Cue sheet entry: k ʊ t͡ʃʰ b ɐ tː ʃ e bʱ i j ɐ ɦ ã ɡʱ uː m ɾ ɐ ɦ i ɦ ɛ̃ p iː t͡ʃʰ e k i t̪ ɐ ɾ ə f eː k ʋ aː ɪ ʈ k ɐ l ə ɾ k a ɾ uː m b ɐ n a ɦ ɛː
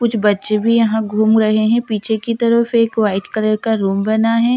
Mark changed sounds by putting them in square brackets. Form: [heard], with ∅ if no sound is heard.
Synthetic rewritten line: k ʊ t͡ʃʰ b ɐ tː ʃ e bʱ i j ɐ ɦ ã ɡʱ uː m ɾ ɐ ɦ [e] ɦ ɛ̃ p iː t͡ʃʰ e k i t̪ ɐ ɾ ə f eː k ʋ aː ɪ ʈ k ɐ l ə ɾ k a ɾ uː m b ɐ n a ɦ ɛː